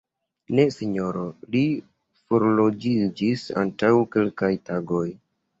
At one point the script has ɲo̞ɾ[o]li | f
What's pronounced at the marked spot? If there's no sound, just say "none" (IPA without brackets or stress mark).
o